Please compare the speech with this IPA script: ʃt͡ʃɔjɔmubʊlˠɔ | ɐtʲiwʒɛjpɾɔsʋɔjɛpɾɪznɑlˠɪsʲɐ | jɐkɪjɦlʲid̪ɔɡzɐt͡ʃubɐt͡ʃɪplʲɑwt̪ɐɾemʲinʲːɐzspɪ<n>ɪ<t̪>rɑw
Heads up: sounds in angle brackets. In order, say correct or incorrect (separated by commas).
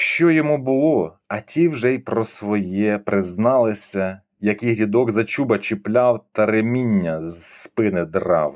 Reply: correct, incorrect